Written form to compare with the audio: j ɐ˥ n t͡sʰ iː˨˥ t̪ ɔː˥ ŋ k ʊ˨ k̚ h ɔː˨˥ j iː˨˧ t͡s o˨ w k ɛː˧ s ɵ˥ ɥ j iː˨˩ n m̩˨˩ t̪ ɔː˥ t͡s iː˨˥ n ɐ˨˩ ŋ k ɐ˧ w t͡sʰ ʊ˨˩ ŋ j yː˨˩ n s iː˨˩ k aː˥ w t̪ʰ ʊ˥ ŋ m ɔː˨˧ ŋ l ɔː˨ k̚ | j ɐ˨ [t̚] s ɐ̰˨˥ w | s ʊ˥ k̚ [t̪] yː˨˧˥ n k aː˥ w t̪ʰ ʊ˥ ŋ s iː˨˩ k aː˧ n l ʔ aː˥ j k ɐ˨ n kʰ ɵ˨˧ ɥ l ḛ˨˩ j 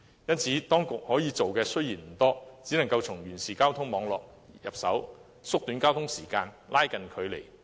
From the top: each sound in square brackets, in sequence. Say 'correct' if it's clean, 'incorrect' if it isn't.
incorrect: p̚, correct

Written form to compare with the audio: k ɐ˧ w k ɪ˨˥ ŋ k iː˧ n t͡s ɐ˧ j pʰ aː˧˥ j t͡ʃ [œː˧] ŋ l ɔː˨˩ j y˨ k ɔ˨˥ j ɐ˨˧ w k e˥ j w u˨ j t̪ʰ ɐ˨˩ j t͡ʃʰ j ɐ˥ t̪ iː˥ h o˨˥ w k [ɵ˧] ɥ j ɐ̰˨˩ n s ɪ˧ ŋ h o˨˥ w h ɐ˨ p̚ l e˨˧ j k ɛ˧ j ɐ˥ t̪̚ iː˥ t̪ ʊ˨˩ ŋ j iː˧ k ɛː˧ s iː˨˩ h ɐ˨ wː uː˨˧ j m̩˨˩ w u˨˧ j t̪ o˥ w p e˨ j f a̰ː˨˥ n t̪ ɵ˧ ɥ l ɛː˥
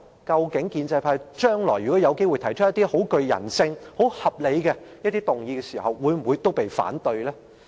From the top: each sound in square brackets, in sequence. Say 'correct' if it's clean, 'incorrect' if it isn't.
incorrect: œː˥, correct

